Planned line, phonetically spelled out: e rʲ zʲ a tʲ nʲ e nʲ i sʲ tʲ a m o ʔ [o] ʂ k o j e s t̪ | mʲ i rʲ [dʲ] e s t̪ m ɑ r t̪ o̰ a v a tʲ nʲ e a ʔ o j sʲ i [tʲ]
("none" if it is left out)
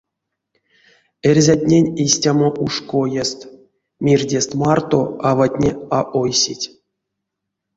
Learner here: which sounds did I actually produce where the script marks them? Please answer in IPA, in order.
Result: u, dʲ, tʲ

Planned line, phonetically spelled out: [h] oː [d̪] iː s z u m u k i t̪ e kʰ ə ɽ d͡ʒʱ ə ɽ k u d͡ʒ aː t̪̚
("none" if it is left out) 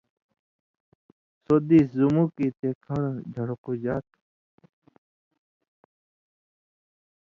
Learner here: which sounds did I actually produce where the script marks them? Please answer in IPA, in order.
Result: s, d̪

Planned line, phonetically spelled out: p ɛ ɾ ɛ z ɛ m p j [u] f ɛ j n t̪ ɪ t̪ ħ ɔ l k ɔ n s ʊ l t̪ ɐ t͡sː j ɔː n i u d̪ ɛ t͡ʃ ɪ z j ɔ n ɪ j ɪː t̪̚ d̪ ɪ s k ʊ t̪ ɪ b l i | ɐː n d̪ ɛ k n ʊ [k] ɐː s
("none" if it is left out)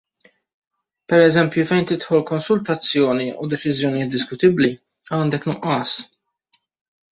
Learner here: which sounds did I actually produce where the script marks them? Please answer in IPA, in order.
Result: u, ʔ

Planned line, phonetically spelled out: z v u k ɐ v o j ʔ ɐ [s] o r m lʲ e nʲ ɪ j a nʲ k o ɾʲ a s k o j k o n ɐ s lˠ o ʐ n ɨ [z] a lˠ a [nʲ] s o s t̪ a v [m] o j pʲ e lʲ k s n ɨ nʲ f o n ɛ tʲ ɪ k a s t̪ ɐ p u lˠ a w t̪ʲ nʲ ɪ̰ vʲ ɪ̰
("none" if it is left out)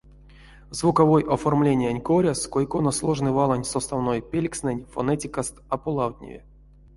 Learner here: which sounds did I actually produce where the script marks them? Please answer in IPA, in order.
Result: f, v, nʲ, n

